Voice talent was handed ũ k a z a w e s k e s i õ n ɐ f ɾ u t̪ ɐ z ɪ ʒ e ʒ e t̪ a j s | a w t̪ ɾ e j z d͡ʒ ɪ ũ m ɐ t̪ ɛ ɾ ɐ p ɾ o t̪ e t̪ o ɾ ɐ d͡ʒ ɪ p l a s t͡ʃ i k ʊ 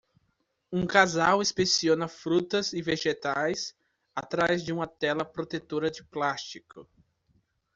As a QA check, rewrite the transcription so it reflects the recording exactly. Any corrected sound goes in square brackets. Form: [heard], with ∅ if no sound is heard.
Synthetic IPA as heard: ũ k a z a w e s [p] e s i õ n ɐ f ɾ u t̪ ɐ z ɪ [v] e ʒ e t̪ a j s | a [∅] t̪ ɾ [a] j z d͡ʒ ɪ ũ m ɐ t̪ ɛ [l] ɐ p ɾ o t̪ e t̪ o ɾ ɐ d͡ʒ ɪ p l a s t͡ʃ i k ʊ

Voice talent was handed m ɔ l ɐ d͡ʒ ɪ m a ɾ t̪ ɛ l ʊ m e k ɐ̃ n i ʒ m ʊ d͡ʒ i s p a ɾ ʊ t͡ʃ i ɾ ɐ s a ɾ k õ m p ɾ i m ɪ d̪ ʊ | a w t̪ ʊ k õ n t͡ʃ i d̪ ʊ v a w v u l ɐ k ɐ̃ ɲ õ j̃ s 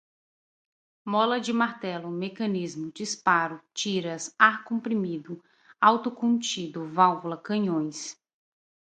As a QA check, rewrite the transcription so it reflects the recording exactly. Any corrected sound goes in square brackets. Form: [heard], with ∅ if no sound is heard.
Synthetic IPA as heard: m ɔ l ɐ d͡ʒ ɪ m a ɾ t̪ ɛ l ʊ m e k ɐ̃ n i [z] m ʊ d͡ʒ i s p a ɾ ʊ t͡ʃ i ɾ ɐ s a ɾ k õ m p ɾ i m [i] d̪ ʊ | a w t̪ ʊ k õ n t͡ʃ i d̪ ʊ v a w v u l ɐ k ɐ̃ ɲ õ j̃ s

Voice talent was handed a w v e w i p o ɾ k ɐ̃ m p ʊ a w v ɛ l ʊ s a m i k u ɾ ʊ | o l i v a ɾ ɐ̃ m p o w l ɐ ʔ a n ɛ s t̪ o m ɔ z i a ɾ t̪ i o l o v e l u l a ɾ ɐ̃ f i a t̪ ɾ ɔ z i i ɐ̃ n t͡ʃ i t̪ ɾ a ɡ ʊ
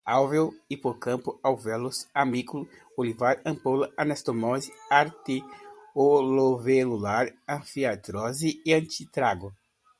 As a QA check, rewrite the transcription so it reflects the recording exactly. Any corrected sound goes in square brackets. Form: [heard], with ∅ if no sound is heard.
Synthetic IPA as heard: a w v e w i p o ɾ k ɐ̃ m p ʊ a w v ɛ l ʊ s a m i k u [l] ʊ | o l i v a ɾ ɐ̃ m p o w l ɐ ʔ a n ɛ s t̪ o m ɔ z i a ɾ t̪ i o l o v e l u l a ɾ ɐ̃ f i a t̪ ɾ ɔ z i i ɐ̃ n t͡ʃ i t̪ ɾ a ɡ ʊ

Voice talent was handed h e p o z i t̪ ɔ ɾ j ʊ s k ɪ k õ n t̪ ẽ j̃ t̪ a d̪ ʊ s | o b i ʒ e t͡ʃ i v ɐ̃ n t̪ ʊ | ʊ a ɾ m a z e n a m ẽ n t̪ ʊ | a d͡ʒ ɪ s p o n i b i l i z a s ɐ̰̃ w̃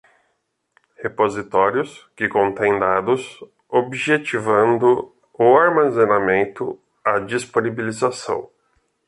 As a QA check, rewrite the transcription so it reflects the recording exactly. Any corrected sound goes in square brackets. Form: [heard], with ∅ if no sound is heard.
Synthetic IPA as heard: h e p o z i t̪ ɔ ɾ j ʊ s k ɪ k õ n t̪ ẽ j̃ [d̪] a d̪ ʊ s | o b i ʒ e t͡ʃ i v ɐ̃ n [d̪] ʊ | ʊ a ɾ m a z e n a m ẽ n t̪ ʊ | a d͡ʒ [i] s p o n i b i l i z a s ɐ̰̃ w̃

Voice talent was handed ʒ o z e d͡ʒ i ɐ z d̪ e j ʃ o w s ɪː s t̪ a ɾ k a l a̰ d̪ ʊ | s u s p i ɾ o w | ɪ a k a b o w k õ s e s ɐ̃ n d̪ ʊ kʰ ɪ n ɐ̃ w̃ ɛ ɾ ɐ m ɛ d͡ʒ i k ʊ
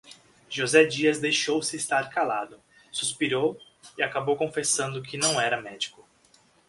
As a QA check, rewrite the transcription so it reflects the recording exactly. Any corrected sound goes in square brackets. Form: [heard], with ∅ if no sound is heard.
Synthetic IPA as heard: ʒ o z [ɛ] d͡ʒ i ɐ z d̪ e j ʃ o w s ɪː s t̪ a ɾ k a l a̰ d̪ ʊ | s u s p i ɾ o w | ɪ a k a b o w k õ [f] e s ɐ̃ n d̪ ʊ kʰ ɪ n ɐ̃ w̃ ɛ ɾ ɐ m ɛ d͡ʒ i k ʊ

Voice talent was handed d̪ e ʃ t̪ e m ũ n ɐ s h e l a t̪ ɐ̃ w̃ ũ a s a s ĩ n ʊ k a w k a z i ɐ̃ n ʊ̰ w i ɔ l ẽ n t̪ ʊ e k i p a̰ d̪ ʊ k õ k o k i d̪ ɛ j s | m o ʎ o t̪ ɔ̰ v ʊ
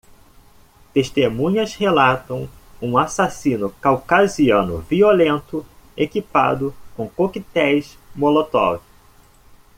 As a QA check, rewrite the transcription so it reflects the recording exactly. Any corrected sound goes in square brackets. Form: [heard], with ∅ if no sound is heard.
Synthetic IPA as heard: [t̪] e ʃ t̪ e m ũ [ɲ] ɐ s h e l a t̪ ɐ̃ w̃ ũ a s a s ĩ n ʊ k a w k a z i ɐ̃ n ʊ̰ [v] i [o] l ẽ n t̪ ʊ e k i p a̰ d̪ ʊ k õ k o k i [t̪] ɛ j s | m o [l] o t̪ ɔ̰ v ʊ

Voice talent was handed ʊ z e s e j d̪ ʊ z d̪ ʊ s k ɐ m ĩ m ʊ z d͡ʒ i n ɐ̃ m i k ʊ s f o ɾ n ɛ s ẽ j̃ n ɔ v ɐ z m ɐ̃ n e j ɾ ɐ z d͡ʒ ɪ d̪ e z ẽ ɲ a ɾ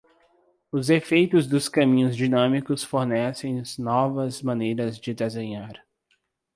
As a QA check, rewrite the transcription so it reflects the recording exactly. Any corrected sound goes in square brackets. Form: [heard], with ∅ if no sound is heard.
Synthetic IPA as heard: ʊ z e [f] e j [t̪] ʊ z d̪ ʊ s k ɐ m ĩ [ɲ] ʊ z d͡ʒ i n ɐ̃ m i k ʊ s f o ɾ n ɛ s ẽ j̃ n ɔ v ɐ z m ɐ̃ n e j ɾ ɐ z d͡ʒ ɪ d̪ e z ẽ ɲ a ɾ

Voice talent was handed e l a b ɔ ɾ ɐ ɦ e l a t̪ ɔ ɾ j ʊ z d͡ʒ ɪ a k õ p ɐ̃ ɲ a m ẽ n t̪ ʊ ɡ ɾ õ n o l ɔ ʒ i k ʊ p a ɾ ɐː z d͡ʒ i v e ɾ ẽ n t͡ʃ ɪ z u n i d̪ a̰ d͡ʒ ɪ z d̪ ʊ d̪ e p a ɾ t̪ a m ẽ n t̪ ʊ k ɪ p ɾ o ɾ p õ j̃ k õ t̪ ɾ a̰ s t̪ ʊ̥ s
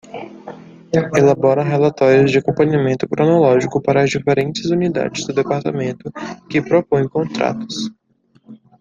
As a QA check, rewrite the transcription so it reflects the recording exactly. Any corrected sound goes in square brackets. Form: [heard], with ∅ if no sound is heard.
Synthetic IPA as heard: e l a b ɔ ɾ ɐ ɦ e l a t̪ ɔ ɾ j ʊ z d͡ʒ ɪ a k õ p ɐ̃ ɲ a m ẽ n t̪ ʊ [k] ɾ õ n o l ɔ ʒ i k ʊ p a ɾ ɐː z d͡ʒ i [f] e ɾ ẽ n t͡ʃ ɪ z u n i d̪ a̰ d͡ʒ ɪ z d̪ ʊ d̪ e p a ɾ t̪ a m ẽ n t̪ ʊ k ɪ p ɾ o [∅] p õ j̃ k õ t̪ ɾ a̰ [∅] t̪ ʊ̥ s

